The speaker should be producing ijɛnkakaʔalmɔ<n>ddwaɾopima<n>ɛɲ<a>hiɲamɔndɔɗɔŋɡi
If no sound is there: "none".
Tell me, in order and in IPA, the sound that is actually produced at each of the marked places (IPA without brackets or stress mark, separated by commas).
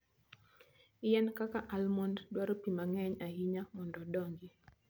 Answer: n, ŋ, a